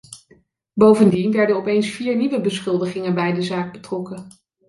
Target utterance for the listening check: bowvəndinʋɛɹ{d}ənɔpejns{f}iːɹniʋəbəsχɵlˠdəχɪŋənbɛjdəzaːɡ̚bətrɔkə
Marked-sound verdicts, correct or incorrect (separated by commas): correct, correct